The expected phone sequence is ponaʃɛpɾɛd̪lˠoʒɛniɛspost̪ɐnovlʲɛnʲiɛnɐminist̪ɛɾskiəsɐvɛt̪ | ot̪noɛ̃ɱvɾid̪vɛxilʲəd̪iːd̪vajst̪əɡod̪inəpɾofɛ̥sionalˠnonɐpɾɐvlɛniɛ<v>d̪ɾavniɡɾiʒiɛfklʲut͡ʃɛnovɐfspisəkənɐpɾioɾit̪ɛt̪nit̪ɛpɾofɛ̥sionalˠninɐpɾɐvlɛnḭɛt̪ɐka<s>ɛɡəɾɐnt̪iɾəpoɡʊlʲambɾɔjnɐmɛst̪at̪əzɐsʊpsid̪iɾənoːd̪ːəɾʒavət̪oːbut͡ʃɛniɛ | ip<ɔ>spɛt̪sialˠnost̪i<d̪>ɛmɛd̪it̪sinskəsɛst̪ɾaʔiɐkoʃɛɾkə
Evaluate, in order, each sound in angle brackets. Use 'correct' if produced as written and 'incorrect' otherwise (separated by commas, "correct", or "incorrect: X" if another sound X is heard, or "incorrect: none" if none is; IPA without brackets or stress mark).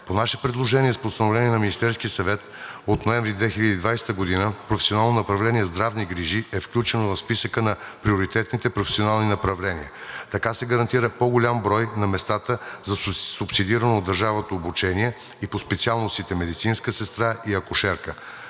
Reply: incorrect: z, correct, incorrect: o, incorrect: t̪